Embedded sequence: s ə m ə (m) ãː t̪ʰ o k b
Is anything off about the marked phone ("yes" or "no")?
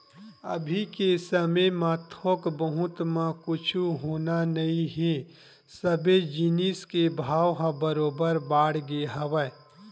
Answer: no